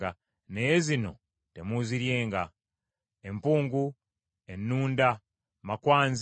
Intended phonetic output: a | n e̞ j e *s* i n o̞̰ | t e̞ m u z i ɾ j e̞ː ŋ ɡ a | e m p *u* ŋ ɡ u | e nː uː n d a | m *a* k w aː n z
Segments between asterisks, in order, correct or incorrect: incorrect: z, incorrect: uː, correct

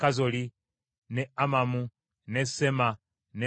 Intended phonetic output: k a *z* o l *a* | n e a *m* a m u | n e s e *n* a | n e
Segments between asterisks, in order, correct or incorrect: correct, incorrect: i, correct, incorrect: m

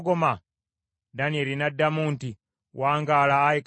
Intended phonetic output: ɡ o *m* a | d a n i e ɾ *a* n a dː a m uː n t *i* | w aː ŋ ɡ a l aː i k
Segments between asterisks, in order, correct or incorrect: correct, incorrect: i, correct

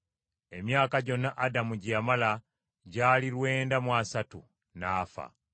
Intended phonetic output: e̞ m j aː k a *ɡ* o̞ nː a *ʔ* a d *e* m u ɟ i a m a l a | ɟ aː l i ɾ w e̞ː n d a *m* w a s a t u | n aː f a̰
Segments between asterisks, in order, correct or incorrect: incorrect: ɟ, correct, incorrect: a, correct

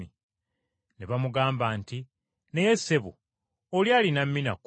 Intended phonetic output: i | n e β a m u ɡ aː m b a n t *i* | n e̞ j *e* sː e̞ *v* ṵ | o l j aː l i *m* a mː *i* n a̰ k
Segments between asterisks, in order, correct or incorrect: correct, correct, incorrect: β, incorrect: n, correct

